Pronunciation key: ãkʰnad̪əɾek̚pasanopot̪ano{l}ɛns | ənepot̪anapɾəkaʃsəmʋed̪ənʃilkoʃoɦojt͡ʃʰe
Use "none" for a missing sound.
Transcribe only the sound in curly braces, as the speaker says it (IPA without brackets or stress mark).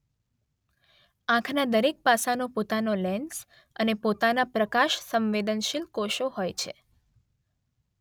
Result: l